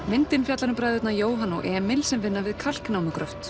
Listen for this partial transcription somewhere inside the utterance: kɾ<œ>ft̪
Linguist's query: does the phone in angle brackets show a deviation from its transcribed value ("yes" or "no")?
no